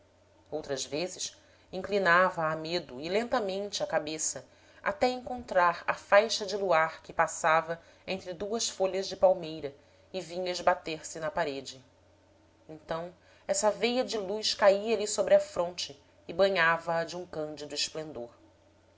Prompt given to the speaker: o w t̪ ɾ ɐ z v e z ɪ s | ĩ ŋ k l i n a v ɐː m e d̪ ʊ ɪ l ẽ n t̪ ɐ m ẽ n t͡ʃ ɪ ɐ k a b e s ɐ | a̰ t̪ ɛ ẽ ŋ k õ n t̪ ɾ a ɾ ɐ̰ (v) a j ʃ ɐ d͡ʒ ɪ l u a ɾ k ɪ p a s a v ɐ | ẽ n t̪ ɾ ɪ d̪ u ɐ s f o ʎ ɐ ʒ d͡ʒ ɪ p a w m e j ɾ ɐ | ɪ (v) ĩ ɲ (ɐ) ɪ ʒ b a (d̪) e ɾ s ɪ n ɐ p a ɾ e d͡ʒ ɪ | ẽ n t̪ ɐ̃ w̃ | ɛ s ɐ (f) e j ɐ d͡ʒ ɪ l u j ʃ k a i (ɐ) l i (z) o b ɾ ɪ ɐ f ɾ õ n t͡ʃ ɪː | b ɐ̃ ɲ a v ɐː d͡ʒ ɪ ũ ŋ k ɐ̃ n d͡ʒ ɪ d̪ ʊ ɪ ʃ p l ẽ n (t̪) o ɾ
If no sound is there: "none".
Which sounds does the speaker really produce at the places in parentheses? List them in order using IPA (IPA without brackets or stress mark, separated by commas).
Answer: f, v, ɐ, t̪, v, ɐ, s, d̪